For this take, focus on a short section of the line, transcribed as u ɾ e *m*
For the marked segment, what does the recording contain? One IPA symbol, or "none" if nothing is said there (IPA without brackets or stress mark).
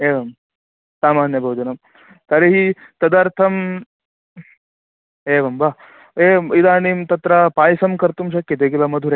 none